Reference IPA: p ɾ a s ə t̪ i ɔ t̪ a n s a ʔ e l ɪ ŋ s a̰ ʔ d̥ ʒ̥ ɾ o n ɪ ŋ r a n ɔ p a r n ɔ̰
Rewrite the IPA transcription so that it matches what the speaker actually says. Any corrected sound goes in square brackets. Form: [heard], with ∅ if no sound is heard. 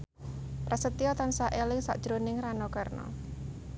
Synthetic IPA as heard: p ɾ a s ə t̪ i ɔ t̪ a n s a ʔ e l ɪ ŋ s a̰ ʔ d̥ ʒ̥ ɾ o n ɪ ŋ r a n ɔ [k] a r n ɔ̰